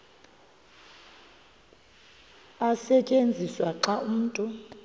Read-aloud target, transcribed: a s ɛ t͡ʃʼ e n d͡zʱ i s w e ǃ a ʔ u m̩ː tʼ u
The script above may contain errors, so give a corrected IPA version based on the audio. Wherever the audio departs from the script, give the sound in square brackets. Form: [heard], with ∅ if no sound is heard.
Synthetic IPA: a s ɛ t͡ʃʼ e n d͡zʱ i s w [a] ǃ a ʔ u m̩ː tʼ u